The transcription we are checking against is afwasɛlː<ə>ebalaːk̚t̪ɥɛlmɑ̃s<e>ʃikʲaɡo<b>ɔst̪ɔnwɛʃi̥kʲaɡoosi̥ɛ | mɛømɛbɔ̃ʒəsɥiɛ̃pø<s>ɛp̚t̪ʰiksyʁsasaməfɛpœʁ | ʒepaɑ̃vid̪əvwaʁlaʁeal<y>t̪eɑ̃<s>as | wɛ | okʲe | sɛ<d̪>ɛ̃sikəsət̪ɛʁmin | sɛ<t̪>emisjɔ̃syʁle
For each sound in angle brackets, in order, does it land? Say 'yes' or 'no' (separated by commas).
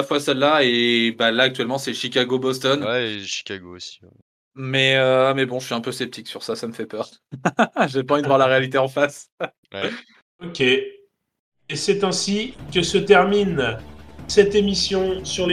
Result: no, no, yes, yes, no, no, no, yes